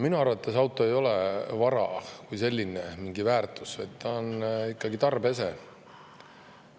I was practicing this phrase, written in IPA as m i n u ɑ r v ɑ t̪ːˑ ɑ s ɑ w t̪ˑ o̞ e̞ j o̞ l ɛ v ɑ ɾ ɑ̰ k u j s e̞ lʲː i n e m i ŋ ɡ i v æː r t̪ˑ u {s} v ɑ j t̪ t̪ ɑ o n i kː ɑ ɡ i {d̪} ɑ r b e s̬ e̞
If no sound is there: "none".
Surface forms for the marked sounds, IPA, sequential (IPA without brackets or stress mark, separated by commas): s, t̪